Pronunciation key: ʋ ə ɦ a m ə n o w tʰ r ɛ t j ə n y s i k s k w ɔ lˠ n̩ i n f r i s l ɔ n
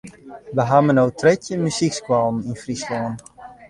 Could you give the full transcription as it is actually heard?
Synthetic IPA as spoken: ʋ ə ɦ a m ə n o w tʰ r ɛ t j ə m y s i k s k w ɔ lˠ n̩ i n f r i s l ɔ n